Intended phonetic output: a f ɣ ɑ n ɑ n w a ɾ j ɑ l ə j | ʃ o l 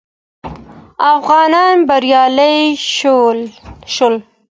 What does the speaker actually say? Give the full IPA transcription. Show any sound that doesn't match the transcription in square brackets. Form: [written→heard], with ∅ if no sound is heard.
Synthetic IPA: a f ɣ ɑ n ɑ n [w→b] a ɾ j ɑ l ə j | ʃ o l